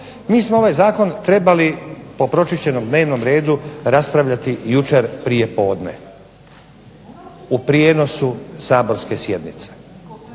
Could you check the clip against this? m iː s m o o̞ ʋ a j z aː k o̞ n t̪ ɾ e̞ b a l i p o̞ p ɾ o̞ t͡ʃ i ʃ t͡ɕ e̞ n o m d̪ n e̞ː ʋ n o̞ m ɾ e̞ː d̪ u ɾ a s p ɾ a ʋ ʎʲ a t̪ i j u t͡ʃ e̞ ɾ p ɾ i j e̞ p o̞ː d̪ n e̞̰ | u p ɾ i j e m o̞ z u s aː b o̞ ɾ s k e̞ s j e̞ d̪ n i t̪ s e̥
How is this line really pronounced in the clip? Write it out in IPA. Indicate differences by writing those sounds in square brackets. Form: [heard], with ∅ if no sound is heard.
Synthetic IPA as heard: m iː s m o o̞ ʋ a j z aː k o̞ n t̪ ɾ e̞ b a l i p o̞ p ɾ o̞ t͡ʃ i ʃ t͡ɕ e̞ n o m d̪ n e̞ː ʋ n o̞ m ɾ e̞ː d̪ u ɾ a s p ɾ a ʋ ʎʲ a t̪ i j u t͡ʃ e̞ ɾ p ɾ i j e̞ p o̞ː d̪ n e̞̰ | u p ɾ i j e [n] o̞ [s] u s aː b o̞ ɾ s k e̞ s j e̞ d̪ n i t̪ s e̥